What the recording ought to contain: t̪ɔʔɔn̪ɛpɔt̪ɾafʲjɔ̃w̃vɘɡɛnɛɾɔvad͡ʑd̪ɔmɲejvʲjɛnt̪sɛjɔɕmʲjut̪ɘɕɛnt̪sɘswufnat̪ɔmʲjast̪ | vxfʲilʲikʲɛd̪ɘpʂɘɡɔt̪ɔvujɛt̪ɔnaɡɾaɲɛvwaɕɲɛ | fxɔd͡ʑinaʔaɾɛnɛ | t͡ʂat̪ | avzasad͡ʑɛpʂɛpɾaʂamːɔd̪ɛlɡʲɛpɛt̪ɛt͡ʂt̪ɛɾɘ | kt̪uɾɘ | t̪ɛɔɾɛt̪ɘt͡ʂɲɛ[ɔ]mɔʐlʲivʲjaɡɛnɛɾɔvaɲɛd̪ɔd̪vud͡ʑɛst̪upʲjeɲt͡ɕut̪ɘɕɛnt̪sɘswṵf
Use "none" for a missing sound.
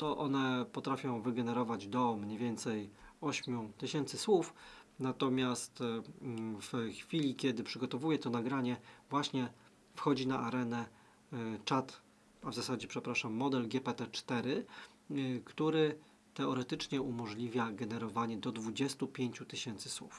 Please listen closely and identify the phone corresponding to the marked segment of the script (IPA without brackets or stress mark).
u